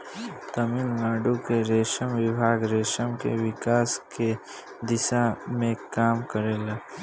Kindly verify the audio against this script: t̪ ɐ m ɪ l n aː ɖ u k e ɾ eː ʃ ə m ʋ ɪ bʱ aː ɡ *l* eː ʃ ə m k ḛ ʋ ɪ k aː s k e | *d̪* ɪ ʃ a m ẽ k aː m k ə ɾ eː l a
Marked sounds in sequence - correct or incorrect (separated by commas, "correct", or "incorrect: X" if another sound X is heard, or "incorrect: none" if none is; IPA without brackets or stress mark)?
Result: incorrect: ɾ, correct